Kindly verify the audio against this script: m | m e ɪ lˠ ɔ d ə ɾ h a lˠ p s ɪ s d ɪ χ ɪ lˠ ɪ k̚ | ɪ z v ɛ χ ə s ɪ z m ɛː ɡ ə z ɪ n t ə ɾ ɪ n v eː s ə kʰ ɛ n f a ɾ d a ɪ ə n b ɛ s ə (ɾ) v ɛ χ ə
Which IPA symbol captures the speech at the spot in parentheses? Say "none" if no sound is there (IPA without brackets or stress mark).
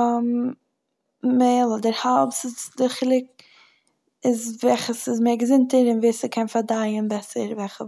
ɾ